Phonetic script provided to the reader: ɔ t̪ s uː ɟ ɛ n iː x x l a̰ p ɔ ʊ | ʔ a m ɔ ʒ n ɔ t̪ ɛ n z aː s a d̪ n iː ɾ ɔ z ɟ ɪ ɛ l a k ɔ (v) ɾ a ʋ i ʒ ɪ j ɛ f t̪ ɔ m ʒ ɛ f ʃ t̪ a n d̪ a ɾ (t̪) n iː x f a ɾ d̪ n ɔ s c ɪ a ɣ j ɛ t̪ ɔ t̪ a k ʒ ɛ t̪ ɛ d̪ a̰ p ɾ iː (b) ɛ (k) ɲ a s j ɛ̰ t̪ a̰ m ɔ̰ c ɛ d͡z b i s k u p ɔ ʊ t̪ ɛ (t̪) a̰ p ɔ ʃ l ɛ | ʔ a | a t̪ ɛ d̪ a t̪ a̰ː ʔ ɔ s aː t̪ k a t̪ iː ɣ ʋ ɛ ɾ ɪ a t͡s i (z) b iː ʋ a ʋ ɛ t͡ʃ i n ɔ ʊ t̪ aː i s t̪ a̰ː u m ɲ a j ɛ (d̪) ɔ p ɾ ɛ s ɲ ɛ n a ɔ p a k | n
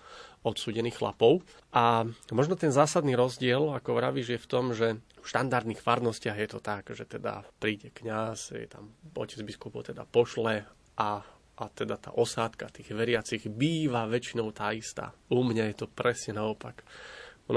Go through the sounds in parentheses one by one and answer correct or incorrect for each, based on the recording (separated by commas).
incorrect, incorrect, incorrect, correct, incorrect, incorrect, incorrect